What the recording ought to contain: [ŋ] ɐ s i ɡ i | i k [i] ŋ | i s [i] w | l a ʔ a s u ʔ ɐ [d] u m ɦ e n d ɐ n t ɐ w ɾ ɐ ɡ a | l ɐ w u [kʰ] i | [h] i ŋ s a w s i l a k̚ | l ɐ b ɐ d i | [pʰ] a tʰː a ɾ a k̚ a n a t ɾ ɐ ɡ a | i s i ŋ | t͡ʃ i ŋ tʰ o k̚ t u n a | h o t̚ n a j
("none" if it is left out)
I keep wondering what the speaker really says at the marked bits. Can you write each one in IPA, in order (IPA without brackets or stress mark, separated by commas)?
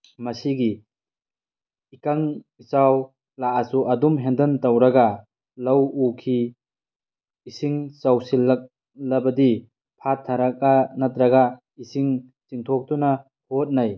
m, a, a, d, kʰ, s, pʰ